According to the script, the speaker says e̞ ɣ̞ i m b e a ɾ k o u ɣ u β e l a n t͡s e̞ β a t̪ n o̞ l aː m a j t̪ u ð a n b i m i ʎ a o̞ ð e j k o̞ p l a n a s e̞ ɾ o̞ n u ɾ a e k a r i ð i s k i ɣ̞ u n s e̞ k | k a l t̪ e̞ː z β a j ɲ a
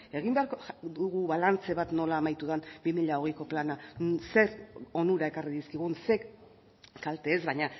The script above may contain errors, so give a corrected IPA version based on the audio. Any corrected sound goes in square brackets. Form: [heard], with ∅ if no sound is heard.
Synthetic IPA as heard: e̞ ɣ̞ i m b e a ɾ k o u ɣ u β [a] l a n t͡s e̞ β a t̪ n o̞ l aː m a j t̪ u ð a n b i m i ʎ a o̞ [ɣ] e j k o̞ p l a n a s e̞ ɾ o̞ n u ɾ a e k a r i ð i s k i ɣ̞ u n s e̞ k | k a l t̪ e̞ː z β a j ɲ a